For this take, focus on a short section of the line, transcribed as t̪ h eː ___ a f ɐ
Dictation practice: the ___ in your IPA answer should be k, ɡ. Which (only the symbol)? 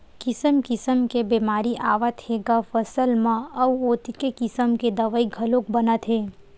ɡ